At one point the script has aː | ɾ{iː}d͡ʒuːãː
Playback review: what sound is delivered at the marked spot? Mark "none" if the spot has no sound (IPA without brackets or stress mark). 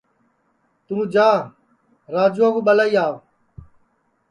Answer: aː